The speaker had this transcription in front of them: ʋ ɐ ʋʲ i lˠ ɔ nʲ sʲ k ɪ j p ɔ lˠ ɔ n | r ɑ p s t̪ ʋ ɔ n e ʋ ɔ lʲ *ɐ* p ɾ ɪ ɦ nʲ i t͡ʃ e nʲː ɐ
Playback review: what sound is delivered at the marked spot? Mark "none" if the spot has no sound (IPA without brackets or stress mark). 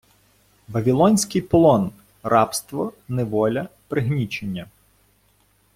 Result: ɐ